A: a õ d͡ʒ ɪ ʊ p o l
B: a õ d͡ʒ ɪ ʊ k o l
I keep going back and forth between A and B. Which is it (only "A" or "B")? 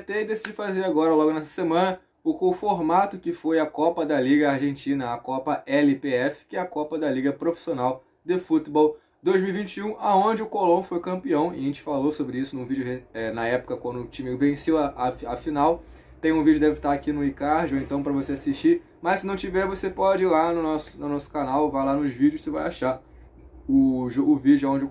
B